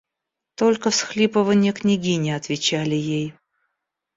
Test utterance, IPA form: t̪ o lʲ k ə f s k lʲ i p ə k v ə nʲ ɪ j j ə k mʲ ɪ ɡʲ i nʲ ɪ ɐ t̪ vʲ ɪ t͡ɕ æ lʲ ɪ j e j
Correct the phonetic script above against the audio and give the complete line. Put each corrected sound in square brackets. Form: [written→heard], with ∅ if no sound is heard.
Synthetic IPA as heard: t̪ o lʲ k ə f s [k→x] lʲ i p ə [k→∅] v ə nʲ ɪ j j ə k [mʲ→nʲ] ɪ ɡʲ i nʲ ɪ ɐ t̪ vʲ ɪ t͡ɕ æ lʲ ɪ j e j

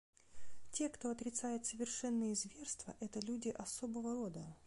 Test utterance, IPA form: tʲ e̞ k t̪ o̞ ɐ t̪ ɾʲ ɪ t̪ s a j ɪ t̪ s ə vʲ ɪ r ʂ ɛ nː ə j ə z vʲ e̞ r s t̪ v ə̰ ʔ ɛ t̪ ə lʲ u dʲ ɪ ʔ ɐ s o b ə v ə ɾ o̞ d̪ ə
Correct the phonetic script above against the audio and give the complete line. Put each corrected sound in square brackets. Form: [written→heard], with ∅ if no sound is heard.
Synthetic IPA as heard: tʲ e̞ k t̪ o̞ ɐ t̪ ɾʲ ɪ t̪ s a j ɪ t̪ s ə vʲ ɪ r ʂ ɛ nː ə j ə z vʲ e̞ r s t̪ v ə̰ ʔ ɛ t̪ ə lʲ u dʲ ɪ ʔ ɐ s o b ə v ə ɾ o̞ d̪ ə

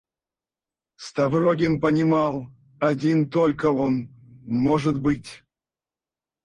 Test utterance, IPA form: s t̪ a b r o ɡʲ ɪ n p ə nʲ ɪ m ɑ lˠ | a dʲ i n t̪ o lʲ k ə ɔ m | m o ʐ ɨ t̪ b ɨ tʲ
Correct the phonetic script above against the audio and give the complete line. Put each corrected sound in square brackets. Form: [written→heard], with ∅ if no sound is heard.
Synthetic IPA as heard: s t̪ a [b→v] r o ɡʲ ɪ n p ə nʲ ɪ m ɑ lˠ | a dʲ i n t̪ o lʲ k ə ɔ [m→n] | m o ʐ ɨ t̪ b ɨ tʲ

